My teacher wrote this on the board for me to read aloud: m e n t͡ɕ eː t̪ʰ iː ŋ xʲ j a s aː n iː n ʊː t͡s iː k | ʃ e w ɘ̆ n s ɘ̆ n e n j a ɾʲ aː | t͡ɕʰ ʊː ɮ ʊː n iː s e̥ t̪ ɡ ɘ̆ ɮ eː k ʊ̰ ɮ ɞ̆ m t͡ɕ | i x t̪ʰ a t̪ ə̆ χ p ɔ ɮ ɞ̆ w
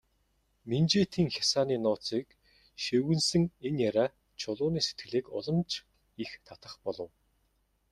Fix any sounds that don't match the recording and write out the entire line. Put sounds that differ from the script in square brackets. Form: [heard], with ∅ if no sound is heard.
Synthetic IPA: m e n t͡ɕ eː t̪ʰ iː ŋ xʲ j a s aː n iː n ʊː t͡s iː k | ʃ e w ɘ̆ n s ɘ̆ [ŋ] e n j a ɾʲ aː | t͡ɕʰ [ʊ] ɮ ʊː n iː s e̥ t̪ ɡ ɘ̆ ɮ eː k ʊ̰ ɮ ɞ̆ m t͡ɕ | i x t̪ʰ a t̪ ə̆ χ p ɔ ɮ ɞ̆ w